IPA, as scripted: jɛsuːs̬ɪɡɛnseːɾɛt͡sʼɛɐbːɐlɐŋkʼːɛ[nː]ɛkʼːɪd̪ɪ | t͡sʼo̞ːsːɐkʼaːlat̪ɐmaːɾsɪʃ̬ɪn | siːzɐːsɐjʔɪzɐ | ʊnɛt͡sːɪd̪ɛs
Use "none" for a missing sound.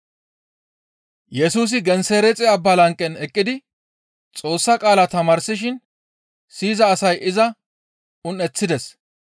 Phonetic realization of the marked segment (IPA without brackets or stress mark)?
n